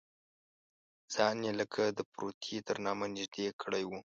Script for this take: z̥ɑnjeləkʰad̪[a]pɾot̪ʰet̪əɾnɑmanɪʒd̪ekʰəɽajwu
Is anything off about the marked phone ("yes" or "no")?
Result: yes